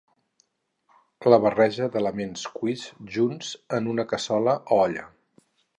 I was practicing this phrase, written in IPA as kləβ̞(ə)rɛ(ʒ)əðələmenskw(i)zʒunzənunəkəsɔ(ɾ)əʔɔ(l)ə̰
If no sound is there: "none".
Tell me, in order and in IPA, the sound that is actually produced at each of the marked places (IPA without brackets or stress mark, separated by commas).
ə, ʒ, i, l, ʎ